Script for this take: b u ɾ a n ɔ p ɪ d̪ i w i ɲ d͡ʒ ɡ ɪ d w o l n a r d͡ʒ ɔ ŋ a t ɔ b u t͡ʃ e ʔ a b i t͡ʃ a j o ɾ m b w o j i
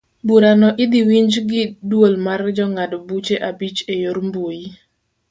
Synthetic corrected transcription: b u ɾ a n ɔ ʔ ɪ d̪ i w i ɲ d͡ʒ ɡ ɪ d w o l m a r d͡ʒ ɔ ŋ a d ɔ b u t͡ʃ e ʔ a b i t͡ʃ e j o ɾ m b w o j i